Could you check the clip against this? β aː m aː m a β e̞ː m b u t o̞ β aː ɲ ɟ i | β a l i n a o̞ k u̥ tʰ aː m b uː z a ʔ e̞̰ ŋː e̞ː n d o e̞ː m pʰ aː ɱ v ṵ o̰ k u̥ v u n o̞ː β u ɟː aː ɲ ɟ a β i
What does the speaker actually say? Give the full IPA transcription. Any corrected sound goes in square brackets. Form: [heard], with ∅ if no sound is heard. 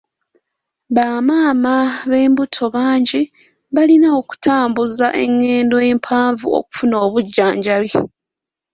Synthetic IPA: β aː m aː m a β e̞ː m b u [tʰ] o̞ β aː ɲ ɟ i | β a l i n a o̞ k u̥ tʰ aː m b [u] z a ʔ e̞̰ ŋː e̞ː n d o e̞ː m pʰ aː ɱ v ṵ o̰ k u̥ [f] u n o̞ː β u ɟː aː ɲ ɟ a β i